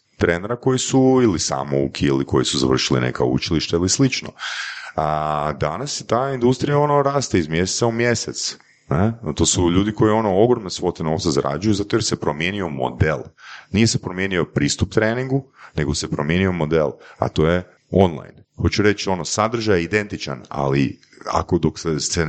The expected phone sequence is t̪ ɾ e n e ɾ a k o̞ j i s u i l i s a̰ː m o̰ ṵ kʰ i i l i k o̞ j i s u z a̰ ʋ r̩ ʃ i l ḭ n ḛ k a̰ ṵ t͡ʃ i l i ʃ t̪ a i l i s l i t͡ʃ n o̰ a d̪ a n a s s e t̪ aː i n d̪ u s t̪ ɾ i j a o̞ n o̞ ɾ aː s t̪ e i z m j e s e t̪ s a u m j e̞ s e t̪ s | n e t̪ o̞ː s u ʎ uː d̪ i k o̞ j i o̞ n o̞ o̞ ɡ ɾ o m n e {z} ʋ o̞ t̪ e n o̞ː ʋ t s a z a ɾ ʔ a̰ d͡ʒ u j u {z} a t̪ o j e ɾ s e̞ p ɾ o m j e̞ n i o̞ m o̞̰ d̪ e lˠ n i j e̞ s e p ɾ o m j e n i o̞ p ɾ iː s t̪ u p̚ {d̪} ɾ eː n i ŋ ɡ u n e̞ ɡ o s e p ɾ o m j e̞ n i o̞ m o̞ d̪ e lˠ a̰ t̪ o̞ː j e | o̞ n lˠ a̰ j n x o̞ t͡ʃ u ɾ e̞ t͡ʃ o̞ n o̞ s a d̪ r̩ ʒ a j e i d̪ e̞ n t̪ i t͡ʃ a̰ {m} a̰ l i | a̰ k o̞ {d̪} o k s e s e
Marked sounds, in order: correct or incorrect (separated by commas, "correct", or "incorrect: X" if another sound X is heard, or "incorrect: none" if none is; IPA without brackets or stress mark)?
incorrect: s, correct, incorrect: t̪, incorrect: n, correct